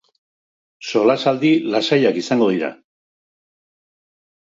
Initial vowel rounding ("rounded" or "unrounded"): rounded